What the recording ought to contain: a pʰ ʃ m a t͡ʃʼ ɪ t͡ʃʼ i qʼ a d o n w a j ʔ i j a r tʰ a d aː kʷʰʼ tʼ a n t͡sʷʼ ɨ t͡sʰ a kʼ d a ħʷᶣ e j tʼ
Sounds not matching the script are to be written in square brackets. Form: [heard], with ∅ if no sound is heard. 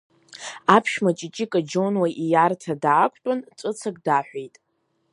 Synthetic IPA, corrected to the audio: a pʰ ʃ m a t͡ʃʼ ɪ t͡ʃʼ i [kʼ] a [d͡ʒ] o n w a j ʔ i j a r tʰ a d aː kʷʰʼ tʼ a n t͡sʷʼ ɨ t͡sʰ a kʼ d a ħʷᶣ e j tʼ